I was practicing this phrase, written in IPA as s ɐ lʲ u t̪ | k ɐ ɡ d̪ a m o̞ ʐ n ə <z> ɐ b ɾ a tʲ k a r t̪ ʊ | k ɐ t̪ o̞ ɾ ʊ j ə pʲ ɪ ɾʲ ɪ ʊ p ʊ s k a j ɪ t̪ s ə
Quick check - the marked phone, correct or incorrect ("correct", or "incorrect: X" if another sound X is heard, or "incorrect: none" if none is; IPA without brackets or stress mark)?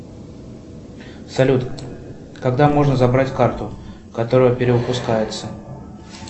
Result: correct